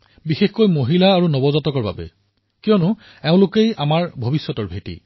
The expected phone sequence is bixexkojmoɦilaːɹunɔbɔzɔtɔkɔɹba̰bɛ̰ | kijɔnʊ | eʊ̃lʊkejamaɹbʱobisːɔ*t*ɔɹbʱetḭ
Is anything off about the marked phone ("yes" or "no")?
no